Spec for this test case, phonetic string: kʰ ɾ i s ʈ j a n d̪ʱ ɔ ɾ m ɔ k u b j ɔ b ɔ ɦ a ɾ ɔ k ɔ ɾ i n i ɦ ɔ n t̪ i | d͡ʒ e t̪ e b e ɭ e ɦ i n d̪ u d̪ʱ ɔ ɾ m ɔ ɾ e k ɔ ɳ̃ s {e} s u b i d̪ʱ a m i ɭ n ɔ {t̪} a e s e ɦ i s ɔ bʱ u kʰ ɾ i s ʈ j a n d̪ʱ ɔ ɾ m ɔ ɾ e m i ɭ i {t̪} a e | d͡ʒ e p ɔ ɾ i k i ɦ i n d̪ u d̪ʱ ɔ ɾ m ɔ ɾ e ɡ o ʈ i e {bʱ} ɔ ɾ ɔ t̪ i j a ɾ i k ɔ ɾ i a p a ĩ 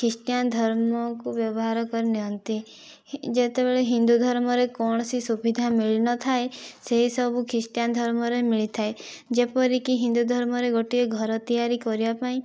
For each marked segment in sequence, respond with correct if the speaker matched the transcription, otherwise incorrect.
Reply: incorrect, incorrect, incorrect, incorrect

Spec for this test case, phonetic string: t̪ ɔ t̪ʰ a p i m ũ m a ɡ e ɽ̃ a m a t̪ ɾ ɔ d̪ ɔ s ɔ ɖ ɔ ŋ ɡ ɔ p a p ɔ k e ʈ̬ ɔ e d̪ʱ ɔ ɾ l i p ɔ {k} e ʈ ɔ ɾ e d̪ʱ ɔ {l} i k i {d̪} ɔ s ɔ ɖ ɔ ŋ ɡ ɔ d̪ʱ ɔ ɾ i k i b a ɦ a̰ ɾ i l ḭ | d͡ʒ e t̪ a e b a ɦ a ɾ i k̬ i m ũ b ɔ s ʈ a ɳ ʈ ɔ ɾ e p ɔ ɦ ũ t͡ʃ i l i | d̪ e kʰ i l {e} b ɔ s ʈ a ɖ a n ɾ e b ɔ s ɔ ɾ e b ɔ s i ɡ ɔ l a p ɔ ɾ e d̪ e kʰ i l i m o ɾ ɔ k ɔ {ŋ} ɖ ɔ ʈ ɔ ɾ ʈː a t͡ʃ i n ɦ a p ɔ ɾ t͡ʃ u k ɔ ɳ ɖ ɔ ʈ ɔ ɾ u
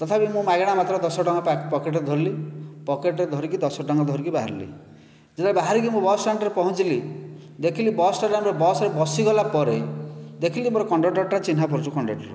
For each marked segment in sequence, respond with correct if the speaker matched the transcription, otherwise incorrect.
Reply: correct, incorrect, correct, incorrect, incorrect

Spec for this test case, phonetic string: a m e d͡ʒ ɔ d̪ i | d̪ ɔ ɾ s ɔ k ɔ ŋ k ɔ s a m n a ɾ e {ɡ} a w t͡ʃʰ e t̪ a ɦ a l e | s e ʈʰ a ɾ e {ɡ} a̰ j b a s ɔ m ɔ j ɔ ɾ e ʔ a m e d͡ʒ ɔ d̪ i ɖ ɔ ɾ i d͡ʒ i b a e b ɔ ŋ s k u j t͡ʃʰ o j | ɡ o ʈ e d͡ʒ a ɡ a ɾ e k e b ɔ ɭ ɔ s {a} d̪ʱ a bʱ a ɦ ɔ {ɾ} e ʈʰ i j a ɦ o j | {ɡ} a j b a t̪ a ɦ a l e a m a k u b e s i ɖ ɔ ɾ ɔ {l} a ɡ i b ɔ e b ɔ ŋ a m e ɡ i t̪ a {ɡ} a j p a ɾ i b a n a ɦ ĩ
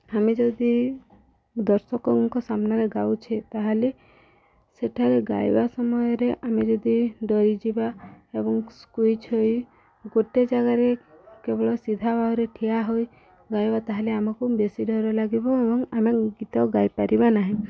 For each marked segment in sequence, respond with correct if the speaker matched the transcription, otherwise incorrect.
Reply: correct, correct, incorrect, correct, correct, correct, correct

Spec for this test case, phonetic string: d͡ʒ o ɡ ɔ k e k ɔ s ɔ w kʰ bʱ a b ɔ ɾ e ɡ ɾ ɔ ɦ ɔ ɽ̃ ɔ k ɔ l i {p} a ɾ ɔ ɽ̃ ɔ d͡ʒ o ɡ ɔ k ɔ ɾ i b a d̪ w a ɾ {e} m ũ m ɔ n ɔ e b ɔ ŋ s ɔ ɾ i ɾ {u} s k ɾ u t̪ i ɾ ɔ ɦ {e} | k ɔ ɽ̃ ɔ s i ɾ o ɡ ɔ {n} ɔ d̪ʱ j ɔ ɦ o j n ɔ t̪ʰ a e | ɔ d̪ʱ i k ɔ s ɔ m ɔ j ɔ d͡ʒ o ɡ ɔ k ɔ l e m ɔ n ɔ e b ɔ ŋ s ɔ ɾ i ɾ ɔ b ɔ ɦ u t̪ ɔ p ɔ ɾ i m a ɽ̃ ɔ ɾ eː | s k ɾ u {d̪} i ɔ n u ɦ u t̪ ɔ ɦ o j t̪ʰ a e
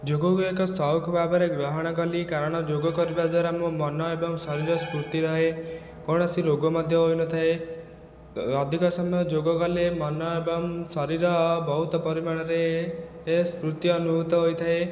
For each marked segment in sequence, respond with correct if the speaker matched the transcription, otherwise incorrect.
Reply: incorrect, incorrect, incorrect, correct, incorrect, incorrect

